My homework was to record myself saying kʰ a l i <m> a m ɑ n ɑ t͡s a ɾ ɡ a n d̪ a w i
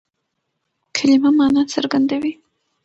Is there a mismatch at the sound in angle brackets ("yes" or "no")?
no